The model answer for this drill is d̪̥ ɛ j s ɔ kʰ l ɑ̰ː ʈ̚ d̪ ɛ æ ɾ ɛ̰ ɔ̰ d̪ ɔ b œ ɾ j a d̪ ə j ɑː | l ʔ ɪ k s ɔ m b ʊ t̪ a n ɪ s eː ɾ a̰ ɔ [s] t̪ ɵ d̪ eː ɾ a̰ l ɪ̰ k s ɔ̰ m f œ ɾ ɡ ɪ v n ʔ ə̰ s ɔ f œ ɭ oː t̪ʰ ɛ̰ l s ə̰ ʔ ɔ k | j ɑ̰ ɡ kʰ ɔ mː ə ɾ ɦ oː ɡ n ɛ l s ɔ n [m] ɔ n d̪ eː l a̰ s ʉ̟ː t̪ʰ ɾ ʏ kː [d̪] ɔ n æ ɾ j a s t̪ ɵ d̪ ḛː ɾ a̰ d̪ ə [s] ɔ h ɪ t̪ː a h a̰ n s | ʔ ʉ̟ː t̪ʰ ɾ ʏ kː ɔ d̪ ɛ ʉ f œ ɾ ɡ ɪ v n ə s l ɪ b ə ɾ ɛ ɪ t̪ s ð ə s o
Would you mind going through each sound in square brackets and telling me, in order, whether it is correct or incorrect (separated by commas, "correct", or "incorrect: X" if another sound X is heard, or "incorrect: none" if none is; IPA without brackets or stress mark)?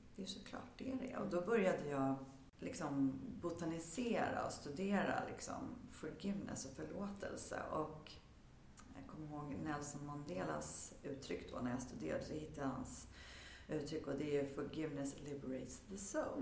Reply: correct, correct, correct, correct